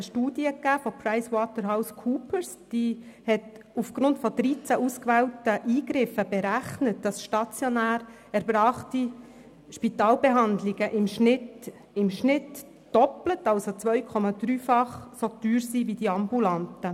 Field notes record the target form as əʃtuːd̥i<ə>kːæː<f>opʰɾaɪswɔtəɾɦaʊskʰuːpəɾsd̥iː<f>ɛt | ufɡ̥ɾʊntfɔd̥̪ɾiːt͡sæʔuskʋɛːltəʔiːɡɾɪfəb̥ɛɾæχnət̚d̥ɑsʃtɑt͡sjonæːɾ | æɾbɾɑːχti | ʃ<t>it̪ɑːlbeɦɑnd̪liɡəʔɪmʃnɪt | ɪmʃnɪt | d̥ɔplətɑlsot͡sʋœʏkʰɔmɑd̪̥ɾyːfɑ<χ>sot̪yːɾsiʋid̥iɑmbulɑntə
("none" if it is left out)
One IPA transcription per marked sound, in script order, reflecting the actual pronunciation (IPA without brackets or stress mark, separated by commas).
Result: ə, f, h, p, χ